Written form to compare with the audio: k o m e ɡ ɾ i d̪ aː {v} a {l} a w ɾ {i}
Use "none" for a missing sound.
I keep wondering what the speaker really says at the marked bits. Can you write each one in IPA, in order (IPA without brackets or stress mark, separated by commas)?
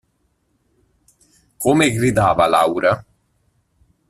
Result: v, l, a